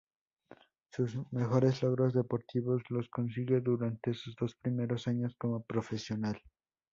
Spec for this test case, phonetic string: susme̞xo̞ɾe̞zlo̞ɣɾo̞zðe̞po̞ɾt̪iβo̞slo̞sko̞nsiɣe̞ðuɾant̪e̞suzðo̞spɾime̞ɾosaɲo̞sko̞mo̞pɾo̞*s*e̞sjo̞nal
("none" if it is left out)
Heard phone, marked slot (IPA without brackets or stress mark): f